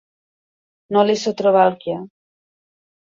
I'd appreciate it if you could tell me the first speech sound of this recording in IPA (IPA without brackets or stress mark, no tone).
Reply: n